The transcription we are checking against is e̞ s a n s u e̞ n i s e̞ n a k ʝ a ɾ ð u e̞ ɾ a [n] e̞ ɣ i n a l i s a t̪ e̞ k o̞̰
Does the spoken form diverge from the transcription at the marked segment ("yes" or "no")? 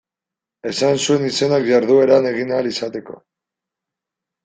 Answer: no